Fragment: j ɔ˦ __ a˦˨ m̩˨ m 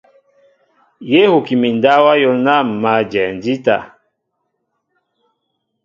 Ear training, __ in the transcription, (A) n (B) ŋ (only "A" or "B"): A